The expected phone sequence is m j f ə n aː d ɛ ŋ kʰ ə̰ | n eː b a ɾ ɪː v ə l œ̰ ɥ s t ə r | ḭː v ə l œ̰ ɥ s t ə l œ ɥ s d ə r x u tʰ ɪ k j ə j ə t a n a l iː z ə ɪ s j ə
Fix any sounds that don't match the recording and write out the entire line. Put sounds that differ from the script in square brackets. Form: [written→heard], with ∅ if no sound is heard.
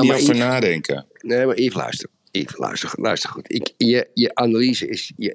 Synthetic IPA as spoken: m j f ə n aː d ɛ ŋ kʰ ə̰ | n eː [b→m] a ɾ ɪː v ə l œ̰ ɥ s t ə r | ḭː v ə l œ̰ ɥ s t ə l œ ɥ s [d→t] ə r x u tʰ ɪ k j ə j ə [t→ʔ] a n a l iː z ə ɪ s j ə